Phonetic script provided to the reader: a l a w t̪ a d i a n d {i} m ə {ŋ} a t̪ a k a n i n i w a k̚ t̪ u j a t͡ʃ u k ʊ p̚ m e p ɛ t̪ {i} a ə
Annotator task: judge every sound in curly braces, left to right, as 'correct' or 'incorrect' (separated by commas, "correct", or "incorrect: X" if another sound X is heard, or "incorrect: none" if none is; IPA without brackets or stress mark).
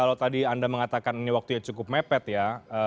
incorrect: a, correct, incorrect: j